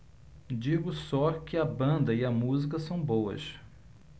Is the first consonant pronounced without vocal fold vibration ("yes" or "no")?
no